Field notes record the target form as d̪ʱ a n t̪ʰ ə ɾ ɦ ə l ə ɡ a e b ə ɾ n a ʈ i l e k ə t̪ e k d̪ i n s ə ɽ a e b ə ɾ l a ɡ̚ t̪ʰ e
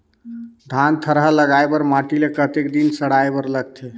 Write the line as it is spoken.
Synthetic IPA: d̪ʱ a n t̪ʰ ə ɾ ɦ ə l ə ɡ a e b ə ɾ m a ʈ i l e k ə t̪ e k d̪ i n s ə ɽ a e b ə ɾ l ə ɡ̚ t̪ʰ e